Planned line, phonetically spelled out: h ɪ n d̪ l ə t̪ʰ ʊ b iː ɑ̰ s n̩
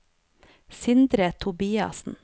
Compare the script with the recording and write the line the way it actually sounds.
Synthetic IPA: s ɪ n d̪ ɾ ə t̪ʰ ʊ b iː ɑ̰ s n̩